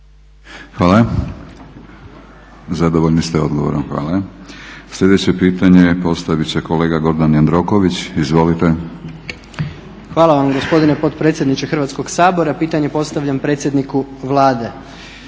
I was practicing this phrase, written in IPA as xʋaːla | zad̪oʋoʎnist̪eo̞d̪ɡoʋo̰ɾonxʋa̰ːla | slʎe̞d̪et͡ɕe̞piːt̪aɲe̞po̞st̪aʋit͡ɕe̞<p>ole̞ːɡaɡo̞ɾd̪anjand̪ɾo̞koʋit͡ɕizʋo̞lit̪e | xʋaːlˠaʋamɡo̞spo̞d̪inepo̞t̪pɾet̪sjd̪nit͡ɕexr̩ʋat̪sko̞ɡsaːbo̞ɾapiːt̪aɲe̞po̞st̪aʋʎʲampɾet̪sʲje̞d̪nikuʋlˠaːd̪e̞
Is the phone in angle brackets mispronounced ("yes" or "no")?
yes